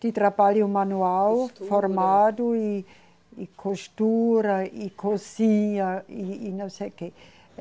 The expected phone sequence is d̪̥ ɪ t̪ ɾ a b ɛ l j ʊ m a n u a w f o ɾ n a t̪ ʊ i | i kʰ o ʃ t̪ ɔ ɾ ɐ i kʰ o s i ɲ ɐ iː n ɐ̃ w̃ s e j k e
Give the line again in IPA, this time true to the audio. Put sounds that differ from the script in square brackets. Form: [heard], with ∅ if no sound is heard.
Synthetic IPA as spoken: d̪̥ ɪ t̪ ɾ a b [a] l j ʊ m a n u a w f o ɾ [m] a [d̪] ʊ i | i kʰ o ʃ t̪ [u] ɾ ɐ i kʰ o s i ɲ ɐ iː n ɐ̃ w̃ s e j k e